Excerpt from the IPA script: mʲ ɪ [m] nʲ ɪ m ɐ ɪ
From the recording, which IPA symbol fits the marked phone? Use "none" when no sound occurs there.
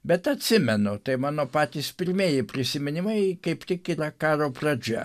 none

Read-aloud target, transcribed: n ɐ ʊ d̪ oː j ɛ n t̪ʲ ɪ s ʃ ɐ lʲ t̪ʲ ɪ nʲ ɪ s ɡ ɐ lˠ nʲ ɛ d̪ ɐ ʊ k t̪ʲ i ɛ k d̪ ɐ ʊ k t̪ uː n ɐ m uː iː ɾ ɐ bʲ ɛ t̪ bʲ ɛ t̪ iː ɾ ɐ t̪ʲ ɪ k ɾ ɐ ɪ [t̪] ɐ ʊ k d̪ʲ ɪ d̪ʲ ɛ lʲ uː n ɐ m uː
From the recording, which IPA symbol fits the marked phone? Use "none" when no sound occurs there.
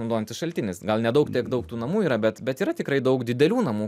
d̪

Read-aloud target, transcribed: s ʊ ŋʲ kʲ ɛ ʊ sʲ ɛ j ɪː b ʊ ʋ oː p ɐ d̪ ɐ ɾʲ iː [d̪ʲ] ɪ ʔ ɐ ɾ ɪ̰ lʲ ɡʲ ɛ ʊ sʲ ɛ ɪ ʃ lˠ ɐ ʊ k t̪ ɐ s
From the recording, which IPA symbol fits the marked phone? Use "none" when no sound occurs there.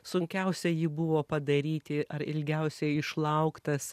t̪ʲ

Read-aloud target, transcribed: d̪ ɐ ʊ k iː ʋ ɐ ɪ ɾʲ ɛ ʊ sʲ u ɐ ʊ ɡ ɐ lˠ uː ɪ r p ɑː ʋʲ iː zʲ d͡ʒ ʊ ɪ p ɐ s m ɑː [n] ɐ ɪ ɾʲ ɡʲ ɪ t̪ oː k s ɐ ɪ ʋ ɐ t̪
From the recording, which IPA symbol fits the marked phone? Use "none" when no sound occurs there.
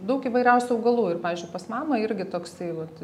m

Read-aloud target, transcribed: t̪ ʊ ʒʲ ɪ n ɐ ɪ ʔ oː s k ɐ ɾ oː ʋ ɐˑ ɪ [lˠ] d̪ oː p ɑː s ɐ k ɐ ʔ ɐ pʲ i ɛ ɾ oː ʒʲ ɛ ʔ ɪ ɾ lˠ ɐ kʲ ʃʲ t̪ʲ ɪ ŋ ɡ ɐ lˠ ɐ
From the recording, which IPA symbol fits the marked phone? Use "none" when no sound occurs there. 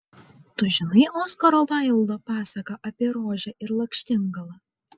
lˠ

